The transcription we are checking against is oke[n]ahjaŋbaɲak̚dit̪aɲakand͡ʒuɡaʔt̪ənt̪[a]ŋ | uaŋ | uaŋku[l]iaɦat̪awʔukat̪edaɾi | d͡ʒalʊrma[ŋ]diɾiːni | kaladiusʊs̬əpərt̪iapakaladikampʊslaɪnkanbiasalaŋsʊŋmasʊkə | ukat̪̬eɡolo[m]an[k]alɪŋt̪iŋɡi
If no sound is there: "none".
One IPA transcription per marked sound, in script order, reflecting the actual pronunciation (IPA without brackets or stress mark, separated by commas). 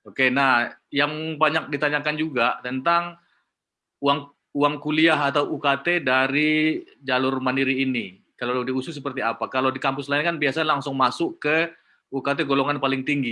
n, a, l, n, ŋ, p